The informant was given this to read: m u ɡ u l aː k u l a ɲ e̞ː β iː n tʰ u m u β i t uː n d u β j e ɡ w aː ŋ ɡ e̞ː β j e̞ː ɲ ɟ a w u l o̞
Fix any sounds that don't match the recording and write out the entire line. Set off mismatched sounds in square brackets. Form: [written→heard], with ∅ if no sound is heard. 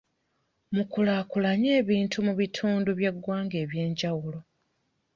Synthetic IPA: m u [ɡ→k] u l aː k u l a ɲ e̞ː β iː n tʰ u m u β i [t→tʰ] uː n d u β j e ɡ w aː ŋ ɡ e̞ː β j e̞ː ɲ ɟ a w u l o̞